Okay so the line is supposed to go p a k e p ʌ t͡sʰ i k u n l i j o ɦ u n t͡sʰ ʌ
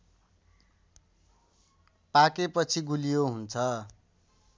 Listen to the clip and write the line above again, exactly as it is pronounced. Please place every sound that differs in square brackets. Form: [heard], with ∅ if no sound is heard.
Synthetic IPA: p a k e p ʌ t͡sʰ i [ɡ] u [∅] l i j o ɦ u n t͡sʰ ʌ

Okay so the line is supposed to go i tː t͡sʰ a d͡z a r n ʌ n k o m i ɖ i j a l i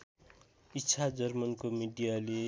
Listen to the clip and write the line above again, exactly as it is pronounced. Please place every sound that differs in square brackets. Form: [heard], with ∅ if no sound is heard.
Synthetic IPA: i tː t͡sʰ a d͡z [ʌ] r [m] ʌ n k o m i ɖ i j a l [e]

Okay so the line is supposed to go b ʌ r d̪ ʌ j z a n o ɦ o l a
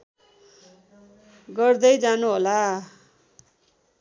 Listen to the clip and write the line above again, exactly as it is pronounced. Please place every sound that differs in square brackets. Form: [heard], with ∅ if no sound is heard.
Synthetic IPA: [ɡ] ʌ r d̪ ʌ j [d͡z] a n [u] ɦ o l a

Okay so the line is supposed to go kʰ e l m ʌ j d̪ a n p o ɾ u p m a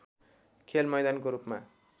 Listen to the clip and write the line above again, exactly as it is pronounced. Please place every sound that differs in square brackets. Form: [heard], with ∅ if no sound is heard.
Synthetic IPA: kʰ e l m ʌ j d̪ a n [k] o ɾ u p m a

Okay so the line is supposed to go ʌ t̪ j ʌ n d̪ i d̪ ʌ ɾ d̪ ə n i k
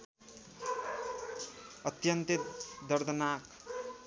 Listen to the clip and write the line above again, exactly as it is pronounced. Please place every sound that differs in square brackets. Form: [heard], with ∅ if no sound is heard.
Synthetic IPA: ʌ t̪ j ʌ n [t̪] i d̪ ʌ ɾ d̪ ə n [a] k

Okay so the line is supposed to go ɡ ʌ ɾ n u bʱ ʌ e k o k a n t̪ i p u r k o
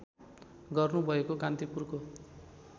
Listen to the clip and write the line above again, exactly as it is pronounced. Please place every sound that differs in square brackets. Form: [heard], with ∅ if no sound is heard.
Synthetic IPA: ɡ ʌ [r] n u bʱ ʌ e k o k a n t̪ i p u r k o

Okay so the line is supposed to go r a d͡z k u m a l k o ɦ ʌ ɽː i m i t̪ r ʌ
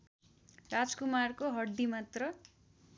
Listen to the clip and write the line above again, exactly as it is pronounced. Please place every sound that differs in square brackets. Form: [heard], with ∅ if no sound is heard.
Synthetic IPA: r a d͡z k u m a [r] k o ɦ ʌ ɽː i m [a] t̪ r ʌ

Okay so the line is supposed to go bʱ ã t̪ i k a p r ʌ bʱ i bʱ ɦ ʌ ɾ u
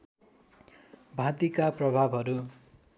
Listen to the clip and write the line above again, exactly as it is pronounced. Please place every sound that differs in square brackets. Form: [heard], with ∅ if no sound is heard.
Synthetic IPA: bʱ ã t̪ i k a p r ʌ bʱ [a] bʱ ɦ ʌ ɾ u

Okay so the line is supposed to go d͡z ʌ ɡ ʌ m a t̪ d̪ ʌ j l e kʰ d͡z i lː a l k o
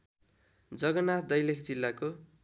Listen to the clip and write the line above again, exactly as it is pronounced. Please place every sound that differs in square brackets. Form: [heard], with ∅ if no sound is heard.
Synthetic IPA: d͡z ʌ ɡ ʌ [n] a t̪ d̪ ʌ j l e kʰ d͡z i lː a [∅] k o

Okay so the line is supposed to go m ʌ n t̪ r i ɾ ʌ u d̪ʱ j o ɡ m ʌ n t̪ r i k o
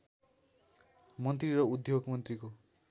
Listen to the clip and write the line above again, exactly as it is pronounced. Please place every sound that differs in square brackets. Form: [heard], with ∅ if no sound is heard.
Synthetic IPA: m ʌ n t̪ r i ɾ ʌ u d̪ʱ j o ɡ m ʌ n t̪ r i k o

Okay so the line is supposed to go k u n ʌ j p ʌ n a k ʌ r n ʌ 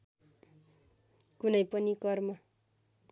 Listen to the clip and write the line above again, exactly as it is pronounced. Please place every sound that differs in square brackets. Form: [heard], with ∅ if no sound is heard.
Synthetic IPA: k u n ʌ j p ʌ n [i] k ʌ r [m] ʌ

